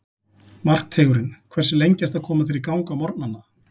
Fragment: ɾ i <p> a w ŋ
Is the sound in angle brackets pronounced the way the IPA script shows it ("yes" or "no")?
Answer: no